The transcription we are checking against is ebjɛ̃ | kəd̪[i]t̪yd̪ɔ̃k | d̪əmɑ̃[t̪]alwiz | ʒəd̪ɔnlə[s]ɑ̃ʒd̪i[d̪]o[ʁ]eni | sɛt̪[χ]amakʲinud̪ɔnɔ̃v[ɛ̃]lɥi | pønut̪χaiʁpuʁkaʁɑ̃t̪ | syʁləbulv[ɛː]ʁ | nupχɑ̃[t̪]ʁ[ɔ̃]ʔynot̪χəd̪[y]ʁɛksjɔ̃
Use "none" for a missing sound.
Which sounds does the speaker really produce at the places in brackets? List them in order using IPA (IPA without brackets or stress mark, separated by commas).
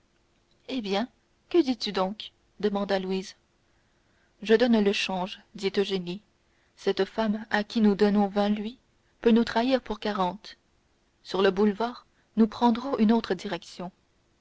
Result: i, d̪, ʃ, t̪, ʒ, f, ɛ̃, aː, d̪, ɔ̃, i